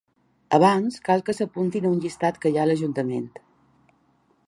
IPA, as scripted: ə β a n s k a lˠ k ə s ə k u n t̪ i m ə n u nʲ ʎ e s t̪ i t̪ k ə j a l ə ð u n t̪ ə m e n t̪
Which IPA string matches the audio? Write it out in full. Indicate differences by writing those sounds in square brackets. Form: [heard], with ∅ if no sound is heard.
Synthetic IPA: ə β a n s k a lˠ k ə s ə [p] u n t̪ i [n] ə [∅] u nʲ ʎ [i] s t̪ [a] t̪ k ə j a l ə [ʒ] u n t̪ ə m e n t̪